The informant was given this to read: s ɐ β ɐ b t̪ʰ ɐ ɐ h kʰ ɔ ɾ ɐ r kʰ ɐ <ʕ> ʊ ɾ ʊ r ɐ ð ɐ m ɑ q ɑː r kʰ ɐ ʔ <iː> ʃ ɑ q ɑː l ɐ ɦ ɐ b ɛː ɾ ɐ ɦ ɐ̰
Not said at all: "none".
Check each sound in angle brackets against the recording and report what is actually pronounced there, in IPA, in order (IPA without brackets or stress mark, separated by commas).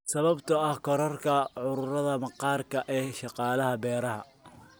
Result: ʕ, ɛː